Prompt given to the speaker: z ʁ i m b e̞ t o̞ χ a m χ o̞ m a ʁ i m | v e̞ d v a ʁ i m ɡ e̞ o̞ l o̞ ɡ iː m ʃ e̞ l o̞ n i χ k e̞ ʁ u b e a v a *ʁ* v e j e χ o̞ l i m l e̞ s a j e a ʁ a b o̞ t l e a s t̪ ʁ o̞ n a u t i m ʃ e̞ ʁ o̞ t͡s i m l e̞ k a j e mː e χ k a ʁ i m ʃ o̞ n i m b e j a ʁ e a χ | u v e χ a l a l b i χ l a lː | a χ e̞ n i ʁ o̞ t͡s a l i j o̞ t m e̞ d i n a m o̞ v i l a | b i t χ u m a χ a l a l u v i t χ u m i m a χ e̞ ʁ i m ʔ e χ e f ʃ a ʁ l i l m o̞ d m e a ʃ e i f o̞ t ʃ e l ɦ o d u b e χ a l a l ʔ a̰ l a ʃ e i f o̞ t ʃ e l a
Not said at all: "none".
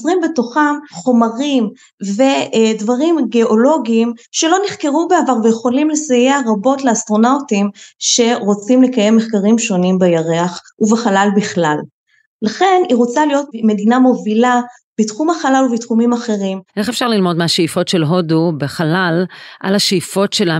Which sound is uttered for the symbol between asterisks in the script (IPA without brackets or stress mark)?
ʁ